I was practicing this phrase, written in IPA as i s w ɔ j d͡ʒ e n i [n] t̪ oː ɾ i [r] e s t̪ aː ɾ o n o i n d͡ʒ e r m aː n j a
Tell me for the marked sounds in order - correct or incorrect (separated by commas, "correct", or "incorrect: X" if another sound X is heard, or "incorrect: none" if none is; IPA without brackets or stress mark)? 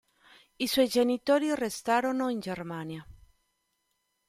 incorrect: none, correct